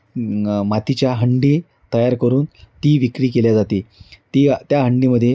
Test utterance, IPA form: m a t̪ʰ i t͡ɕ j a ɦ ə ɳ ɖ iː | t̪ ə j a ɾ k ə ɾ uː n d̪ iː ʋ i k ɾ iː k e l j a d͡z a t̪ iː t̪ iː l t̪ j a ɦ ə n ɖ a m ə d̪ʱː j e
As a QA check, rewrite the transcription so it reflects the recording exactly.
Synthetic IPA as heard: m a t̪ i t͡ɕ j a ɦ ə ɳ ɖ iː | t̪ ə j a ɾ k ə ɾ uː n t̪ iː ʋ i k ɾ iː k e l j a d͡z a t̪ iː t̪ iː t̪ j a ɦ ə ɳ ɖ i m ə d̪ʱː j e

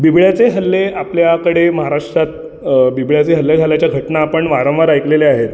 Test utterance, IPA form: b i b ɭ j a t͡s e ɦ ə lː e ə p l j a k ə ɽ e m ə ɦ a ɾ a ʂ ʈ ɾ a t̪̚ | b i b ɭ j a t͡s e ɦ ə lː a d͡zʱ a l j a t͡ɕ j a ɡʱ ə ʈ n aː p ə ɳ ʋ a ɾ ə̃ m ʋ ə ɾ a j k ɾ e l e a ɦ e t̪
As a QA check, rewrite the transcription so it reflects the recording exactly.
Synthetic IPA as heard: b i b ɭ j a t͡s e ɦ ə lː e a p l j a k ə ɽ e m ə ɦ a ɾ a ʂ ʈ ɾ a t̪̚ | b i b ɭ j a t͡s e ɦ ə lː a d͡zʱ a l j a t͡ɕ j a ɡʱ ə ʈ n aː p ə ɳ ʋ a ɾ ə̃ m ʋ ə ɾ a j k l e l e a ɦ e t̪

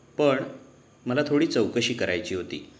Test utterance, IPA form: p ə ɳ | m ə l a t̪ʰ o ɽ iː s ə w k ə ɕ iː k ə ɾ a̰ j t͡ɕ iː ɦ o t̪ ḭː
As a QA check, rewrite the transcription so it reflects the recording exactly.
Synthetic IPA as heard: p ə ɳ | m ə l a t̪ʰ o ɽ iː t͡s ə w k ə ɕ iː k ə ɾ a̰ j t͡ɕ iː ɦ o t̪ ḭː

